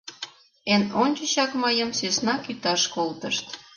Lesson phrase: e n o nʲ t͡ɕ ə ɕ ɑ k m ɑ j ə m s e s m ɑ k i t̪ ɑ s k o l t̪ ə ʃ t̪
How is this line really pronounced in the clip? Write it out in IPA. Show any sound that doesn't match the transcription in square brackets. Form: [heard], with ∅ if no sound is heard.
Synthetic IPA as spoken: e n o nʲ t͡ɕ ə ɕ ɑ k m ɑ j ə m s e s [n] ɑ k [y] t̪ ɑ [ʃ] k o l t̪ ə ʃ t̪